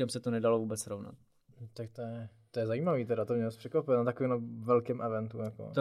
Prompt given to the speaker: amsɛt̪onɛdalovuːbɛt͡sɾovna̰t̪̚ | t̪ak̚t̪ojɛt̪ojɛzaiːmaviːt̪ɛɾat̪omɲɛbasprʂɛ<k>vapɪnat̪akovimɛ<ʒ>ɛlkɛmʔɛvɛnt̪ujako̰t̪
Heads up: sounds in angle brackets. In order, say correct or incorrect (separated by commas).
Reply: correct, incorrect